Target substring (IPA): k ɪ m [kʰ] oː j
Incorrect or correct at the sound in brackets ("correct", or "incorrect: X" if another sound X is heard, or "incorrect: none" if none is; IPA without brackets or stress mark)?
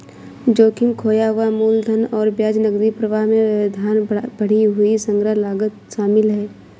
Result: correct